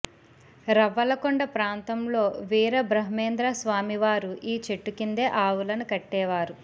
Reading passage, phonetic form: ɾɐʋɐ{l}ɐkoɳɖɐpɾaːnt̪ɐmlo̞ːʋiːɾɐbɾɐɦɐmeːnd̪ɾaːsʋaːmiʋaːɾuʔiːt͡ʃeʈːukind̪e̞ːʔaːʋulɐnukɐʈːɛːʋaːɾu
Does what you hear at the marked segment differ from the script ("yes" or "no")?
no